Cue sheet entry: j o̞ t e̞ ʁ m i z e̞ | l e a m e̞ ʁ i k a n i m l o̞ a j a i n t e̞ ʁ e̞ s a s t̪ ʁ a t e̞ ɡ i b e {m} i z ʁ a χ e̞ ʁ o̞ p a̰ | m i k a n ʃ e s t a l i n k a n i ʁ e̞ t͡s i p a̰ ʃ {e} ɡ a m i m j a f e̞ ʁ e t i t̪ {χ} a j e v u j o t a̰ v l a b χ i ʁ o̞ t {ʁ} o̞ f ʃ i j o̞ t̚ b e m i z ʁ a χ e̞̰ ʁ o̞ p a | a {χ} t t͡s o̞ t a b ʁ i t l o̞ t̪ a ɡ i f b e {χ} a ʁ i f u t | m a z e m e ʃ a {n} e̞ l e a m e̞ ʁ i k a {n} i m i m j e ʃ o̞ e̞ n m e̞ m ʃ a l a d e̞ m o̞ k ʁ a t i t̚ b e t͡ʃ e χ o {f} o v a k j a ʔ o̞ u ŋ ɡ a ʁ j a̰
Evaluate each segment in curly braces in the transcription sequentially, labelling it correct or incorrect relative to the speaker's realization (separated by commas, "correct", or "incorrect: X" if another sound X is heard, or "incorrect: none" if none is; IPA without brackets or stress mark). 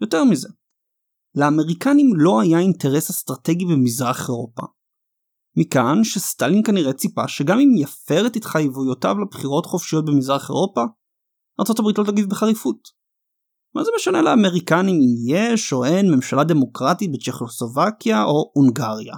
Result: correct, correct, correct, incorrect: χ, incorrect: ʁ, correct, correct, correct, incorrect: s